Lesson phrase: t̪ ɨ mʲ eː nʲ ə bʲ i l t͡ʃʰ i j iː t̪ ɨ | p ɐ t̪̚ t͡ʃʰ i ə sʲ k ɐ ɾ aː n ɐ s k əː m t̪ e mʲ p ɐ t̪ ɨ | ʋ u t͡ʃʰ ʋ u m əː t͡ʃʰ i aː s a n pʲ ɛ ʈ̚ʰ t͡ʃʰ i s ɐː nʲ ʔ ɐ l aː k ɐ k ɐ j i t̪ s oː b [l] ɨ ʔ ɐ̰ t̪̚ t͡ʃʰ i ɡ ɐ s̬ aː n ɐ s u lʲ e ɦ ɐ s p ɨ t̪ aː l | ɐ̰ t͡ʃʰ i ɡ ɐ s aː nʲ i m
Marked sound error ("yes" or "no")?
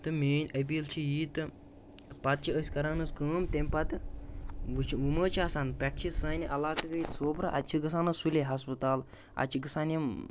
yes